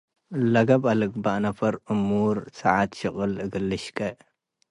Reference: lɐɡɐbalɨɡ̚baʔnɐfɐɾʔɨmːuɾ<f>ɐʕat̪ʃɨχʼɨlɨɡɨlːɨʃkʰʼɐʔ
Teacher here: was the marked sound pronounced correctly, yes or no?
no